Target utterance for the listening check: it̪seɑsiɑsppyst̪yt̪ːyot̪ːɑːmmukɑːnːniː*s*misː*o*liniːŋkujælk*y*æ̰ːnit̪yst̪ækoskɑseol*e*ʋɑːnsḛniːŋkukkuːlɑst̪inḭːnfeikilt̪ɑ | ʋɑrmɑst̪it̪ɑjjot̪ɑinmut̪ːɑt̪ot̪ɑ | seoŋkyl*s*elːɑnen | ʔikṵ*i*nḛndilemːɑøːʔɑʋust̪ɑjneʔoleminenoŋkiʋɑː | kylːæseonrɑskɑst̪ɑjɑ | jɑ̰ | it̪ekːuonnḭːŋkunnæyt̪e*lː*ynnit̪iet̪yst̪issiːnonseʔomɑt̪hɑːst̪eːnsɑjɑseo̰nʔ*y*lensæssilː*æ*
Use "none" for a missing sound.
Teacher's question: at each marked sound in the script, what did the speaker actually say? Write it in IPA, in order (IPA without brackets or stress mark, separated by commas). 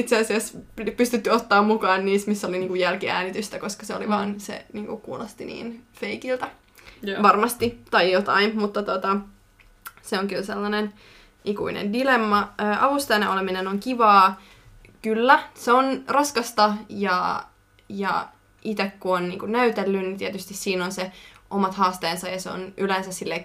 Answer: s, o, i, i, s, i, lː, y, e